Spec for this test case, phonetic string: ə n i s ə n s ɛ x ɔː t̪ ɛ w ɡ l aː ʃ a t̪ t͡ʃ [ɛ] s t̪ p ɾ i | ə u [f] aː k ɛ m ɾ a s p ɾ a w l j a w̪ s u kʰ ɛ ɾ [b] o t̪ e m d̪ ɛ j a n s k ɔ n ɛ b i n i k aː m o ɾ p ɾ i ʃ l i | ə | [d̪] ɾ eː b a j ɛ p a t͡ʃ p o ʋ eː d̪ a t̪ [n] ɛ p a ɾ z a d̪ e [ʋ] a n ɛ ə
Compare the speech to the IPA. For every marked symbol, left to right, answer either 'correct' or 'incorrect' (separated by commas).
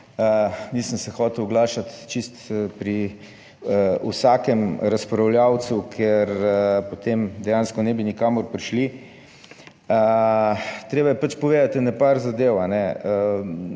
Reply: incorrect, incorrect, incorrect, incorrect, correct, incorrect